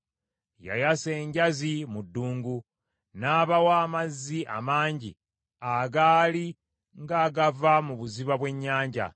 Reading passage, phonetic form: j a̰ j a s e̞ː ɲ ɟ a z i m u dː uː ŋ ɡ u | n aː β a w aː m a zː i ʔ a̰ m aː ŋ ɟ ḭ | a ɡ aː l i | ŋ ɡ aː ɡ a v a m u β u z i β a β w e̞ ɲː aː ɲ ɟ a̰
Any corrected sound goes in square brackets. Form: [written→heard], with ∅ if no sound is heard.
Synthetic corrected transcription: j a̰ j a s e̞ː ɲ ɟ a z i m u dː uː ŋ ɡ u | n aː β a w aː m a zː i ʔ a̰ m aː [ŋ→ɲ] ɟ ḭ | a ɡ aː l i | ŋ ɡ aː ɡ a v a m u β u z i β a β w e̞ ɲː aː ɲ ɟ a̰